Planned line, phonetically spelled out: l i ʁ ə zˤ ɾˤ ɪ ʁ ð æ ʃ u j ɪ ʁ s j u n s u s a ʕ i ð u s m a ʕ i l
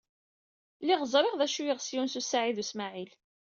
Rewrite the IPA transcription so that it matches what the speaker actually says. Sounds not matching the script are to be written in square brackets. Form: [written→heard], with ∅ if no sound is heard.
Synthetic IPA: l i ʁ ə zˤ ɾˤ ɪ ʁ ð æ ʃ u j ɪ ʁ s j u n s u s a ʕ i ð u s m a ʕ i l